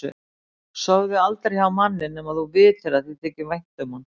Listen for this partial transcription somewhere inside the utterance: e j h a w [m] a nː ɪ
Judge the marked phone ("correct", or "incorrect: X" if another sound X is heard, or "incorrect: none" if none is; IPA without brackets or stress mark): correct